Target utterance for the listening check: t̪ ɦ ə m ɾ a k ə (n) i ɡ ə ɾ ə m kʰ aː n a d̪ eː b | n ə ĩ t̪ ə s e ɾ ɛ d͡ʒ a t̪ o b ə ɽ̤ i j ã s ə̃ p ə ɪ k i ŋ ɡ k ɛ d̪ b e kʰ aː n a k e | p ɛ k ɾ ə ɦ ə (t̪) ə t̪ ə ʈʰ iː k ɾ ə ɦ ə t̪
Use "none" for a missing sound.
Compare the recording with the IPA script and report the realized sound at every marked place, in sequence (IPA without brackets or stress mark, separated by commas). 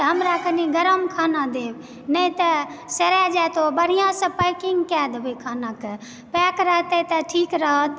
n, t̪